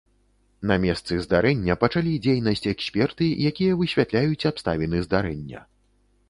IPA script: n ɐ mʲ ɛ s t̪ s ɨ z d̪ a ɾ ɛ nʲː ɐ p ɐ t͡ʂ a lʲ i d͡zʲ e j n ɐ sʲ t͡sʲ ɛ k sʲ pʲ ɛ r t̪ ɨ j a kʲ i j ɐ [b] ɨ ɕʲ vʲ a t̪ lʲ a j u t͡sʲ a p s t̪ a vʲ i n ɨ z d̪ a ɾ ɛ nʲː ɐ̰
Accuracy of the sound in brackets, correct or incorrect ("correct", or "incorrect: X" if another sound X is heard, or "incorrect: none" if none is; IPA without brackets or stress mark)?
incorrect: v